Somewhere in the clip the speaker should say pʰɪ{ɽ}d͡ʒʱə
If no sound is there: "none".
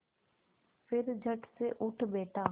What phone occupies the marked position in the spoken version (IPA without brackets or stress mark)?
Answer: ɾ